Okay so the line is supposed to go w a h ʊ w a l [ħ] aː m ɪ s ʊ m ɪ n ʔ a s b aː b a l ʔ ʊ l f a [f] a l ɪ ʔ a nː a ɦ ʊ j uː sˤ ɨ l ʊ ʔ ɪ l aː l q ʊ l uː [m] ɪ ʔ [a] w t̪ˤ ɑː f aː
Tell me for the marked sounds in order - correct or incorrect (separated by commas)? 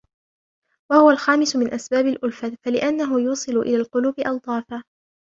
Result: incorrect, correct, incorrect, incorrect